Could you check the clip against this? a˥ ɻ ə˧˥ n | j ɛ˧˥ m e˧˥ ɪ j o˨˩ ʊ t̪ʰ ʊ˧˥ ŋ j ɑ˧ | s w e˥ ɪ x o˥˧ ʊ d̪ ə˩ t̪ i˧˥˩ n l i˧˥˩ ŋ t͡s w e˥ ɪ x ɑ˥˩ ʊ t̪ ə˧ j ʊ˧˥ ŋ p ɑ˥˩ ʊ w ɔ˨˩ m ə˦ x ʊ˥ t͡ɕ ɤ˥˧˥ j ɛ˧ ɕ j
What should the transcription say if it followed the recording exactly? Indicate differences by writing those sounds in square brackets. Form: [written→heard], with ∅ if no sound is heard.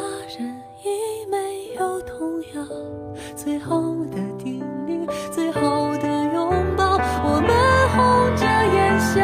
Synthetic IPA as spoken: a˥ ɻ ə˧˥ n | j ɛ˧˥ m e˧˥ ɪ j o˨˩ ʊ t̪ʰ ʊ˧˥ ŋ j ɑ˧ | [s→t͡s] w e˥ ɪ x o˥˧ ʊ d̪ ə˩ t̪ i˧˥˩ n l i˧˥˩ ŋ t͡s w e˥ ɪ x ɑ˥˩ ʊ [t̪→d̪] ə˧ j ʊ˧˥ ŋ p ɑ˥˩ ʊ w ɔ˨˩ m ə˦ x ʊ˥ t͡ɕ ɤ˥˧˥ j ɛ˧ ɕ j